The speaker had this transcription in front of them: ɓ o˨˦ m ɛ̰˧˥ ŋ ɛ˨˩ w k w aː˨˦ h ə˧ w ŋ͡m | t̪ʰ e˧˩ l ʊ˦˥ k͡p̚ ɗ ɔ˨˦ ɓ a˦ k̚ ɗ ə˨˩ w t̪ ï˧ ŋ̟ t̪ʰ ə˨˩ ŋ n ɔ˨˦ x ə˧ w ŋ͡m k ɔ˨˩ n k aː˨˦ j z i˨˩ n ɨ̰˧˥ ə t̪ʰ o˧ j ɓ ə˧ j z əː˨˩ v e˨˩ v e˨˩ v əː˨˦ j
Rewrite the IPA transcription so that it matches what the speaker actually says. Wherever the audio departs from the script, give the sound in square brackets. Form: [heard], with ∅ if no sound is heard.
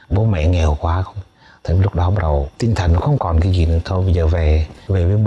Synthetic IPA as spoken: ɓ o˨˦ m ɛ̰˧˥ ŋ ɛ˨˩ w k w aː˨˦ [x] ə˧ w ŋ͡m | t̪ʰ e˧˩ l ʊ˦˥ k͡p̚ ɗ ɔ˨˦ ɓ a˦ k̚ ɗ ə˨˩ w t̪ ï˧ ŋ̟ t̪ʰ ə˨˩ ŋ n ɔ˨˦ x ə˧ w ŋ͡m k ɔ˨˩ n k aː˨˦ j z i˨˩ n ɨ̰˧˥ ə t̪ʰ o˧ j ɓ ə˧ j z əː˨˩ v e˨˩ v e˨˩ v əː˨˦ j